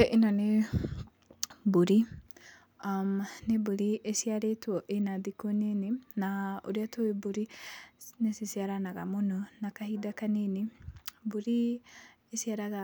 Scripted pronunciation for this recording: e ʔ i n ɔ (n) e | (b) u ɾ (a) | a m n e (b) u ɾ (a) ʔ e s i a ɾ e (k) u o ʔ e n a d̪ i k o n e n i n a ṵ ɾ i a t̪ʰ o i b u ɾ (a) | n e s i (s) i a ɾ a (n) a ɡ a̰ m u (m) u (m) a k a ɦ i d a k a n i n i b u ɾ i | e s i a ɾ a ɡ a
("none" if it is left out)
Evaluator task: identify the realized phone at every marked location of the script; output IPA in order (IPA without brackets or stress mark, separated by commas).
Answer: n, b, i, b, i, t, i, s, n, n, n